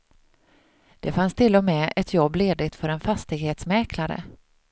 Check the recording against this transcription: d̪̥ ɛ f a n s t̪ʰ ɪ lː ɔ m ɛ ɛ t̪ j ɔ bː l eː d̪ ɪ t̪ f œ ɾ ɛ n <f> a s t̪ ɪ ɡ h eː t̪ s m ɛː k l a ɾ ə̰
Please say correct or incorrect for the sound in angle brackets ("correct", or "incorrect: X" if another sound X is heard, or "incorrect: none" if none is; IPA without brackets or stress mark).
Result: correct